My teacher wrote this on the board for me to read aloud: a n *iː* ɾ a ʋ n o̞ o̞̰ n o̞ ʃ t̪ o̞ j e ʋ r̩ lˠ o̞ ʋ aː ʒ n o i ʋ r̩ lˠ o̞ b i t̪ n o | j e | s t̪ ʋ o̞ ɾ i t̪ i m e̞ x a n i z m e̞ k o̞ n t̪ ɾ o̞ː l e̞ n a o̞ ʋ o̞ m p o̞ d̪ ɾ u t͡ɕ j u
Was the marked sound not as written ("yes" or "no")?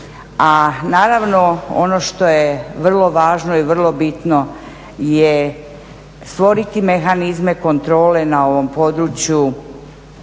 yes